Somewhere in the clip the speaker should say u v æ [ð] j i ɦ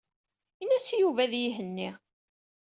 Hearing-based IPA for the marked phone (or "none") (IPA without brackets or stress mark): ð